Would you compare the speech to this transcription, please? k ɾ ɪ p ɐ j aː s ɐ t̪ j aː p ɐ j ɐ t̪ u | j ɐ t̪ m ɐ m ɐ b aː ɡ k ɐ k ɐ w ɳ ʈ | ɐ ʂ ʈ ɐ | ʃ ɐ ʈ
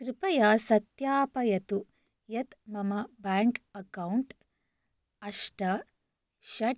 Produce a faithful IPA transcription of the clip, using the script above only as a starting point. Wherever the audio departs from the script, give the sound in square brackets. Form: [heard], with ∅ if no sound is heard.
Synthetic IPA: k ɾ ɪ p ɐ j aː s ɐ t̪ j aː p ɐ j ɐ t̪ u | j ɐ t̪ m ɐ m ɐ b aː [ŋ] k ɐ k ɐ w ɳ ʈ | ɐ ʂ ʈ ɐ | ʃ ɐ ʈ